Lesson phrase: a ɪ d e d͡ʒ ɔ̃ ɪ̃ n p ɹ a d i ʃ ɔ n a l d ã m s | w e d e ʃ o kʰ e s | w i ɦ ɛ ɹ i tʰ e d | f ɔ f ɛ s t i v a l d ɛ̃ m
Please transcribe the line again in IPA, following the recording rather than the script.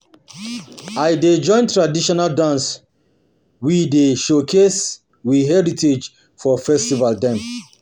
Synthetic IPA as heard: a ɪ d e d͡ʒ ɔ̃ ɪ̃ n t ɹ a d i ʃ ɔ n a l d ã n s | w i d e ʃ o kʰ e s | w i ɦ ɛ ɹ i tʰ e d͡ʒ | f ɔ f ɛ s t i v a l d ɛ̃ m